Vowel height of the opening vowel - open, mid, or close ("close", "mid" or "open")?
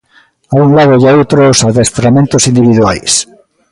open